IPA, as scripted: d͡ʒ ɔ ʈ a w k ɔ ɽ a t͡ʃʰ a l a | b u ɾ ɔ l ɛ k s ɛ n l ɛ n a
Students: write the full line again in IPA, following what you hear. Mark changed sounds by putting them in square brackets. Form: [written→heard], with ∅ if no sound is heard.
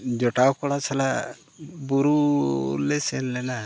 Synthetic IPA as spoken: d͡ʒ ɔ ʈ a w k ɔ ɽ a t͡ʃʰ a l a | b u ɾ [ɔ→u] l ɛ [k→∅] s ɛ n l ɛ n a